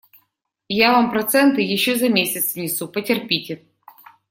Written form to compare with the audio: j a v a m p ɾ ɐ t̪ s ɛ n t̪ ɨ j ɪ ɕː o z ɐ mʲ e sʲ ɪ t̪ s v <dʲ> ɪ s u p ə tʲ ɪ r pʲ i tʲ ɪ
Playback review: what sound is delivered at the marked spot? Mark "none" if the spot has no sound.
nʲ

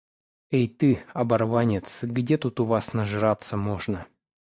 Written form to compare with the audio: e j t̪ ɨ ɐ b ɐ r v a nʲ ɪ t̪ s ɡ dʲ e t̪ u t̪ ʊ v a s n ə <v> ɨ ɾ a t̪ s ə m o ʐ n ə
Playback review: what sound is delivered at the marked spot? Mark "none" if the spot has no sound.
ʐ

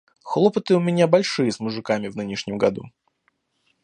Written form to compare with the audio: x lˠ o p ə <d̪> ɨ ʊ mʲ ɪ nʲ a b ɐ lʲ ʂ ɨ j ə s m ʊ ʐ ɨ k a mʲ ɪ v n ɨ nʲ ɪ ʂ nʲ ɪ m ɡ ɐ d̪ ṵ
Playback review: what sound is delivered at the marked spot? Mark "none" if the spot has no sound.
t̪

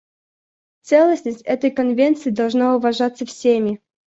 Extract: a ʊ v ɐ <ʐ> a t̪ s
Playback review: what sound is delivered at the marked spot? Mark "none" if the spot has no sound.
ʐ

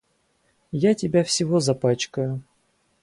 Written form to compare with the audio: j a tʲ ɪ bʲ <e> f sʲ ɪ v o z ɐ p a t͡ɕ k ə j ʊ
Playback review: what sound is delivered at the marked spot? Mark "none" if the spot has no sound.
a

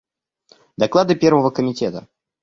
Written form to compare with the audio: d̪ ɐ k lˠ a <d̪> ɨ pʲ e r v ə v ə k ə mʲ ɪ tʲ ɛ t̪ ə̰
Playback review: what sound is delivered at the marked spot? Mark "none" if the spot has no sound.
d̪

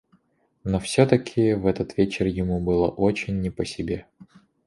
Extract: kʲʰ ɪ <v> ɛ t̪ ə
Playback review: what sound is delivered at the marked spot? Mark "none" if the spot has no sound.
v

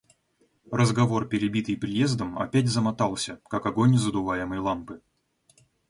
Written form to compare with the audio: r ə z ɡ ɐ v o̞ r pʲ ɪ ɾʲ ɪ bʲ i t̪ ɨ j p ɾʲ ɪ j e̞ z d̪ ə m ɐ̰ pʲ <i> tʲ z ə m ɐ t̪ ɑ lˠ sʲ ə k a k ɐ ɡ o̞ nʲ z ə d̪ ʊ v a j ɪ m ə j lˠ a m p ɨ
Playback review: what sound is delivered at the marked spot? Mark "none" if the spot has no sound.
æ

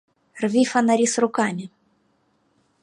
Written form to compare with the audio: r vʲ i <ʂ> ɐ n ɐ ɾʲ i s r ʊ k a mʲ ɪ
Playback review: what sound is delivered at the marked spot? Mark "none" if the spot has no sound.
f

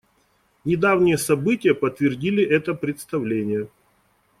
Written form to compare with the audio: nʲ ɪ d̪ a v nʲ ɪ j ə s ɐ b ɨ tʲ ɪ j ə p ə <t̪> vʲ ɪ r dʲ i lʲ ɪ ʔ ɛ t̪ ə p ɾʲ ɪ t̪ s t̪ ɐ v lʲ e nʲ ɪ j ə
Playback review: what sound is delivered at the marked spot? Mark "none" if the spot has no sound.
t̪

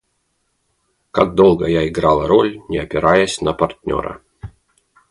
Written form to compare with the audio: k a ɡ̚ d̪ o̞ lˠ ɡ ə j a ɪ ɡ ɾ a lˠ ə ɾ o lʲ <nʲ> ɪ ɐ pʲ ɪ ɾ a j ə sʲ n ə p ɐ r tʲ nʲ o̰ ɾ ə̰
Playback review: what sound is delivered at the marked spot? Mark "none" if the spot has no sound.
nʲ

